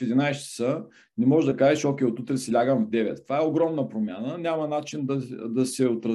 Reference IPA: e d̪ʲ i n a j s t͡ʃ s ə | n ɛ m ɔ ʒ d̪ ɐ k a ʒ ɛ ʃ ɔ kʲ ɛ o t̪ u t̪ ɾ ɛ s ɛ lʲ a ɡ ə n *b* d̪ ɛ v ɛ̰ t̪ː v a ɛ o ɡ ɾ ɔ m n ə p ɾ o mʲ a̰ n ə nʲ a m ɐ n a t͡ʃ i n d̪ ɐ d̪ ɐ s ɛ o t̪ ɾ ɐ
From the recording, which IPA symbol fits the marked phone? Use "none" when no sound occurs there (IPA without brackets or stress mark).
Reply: v